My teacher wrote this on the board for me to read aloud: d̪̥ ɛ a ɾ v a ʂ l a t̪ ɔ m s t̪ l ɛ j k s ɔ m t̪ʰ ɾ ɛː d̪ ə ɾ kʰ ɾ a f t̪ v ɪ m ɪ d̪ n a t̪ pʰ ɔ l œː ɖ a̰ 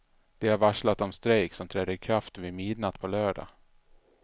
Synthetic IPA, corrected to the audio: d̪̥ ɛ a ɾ v a ʂ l a t̪ ɔ m s t̪ ɾ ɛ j k s ɔ m t̪ʰ ɾ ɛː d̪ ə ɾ kʰ ɾ a f t̪ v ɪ m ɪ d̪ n a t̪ pʰ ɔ l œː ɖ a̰